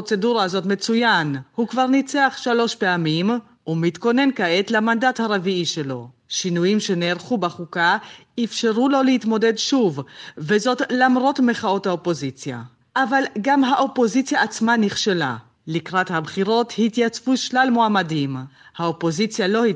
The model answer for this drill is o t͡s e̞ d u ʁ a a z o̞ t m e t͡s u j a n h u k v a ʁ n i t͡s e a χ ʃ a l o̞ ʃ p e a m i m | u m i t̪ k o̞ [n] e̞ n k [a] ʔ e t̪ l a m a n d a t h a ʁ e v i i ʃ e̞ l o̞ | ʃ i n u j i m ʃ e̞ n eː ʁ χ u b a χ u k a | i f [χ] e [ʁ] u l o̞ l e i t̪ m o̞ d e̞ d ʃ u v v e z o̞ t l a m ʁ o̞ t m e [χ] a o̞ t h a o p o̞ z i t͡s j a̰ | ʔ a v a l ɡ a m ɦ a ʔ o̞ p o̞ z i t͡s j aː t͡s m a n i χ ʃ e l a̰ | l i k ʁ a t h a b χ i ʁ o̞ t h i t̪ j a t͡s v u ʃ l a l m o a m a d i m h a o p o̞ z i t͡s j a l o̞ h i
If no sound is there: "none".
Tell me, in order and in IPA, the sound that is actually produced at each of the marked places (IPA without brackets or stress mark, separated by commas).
n, a, ʃ, ʁ, χ